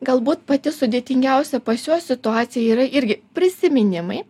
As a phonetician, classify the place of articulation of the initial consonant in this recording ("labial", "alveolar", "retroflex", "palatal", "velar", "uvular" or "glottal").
velar